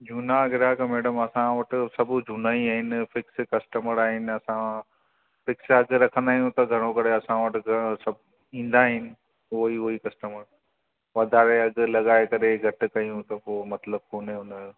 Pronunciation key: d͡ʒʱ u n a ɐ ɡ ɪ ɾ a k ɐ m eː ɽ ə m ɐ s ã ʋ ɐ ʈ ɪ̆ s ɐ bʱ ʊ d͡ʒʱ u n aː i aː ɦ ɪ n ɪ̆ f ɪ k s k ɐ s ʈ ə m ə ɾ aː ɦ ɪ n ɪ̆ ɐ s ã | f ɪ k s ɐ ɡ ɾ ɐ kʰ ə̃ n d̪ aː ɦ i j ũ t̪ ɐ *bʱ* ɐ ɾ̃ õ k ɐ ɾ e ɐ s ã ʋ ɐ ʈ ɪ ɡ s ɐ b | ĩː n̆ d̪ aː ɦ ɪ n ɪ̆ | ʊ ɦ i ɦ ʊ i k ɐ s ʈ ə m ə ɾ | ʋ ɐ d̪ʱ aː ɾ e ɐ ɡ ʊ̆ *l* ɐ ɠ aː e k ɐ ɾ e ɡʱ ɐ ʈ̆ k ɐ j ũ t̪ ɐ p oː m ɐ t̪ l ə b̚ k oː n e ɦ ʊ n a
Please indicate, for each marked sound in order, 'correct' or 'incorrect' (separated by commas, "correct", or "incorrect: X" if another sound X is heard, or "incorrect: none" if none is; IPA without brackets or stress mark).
incorrect: ɡʱ, correct